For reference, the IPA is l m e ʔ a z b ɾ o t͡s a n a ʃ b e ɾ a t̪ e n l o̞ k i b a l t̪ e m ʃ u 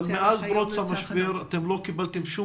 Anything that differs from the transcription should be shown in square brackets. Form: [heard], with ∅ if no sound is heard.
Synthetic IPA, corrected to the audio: l m e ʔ a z b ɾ o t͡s a [m] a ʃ b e ɾ a t̪ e [m] l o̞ k i b a l t̪ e m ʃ u